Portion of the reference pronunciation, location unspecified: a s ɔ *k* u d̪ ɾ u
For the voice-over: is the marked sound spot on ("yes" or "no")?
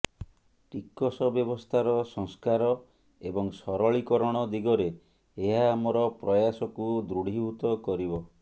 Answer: yes